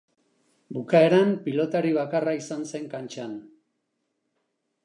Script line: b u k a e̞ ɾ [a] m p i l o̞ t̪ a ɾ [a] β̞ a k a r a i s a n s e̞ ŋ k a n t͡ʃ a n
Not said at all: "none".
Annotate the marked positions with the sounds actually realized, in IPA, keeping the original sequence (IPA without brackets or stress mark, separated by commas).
a, i